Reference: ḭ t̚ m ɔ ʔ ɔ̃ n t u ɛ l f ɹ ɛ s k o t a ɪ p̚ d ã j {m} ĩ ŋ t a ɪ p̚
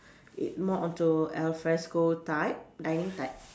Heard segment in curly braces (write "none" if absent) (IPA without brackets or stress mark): n